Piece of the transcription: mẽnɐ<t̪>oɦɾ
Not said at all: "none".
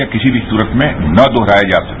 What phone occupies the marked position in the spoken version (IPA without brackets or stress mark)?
d̪